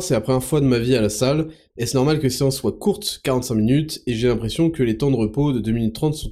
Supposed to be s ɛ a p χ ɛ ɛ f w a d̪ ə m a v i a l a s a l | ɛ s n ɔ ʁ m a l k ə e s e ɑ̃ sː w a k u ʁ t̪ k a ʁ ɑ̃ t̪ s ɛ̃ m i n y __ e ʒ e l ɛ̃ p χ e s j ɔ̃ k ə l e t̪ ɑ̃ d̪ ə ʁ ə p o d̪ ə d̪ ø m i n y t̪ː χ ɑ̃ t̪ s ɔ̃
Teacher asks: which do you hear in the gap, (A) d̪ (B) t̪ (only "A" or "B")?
B